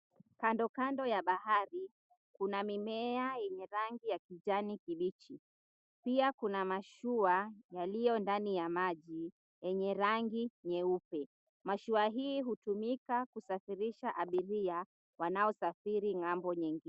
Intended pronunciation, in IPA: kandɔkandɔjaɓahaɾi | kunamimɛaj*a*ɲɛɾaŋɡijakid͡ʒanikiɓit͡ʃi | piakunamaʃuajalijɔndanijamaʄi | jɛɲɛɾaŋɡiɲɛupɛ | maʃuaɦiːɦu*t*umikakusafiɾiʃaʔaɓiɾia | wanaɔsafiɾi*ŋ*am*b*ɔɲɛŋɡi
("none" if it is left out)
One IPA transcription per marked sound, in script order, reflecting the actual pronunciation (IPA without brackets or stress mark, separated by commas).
ɛ, t, ŋ, b